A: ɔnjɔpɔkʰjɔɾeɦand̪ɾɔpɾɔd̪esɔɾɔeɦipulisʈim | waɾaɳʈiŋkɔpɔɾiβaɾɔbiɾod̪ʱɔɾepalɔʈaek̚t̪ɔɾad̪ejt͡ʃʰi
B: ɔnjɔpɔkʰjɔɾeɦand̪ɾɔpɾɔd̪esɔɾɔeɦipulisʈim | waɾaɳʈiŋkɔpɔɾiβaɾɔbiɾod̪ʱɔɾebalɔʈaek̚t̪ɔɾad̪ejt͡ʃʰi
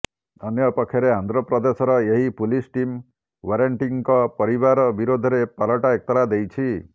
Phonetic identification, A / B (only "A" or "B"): A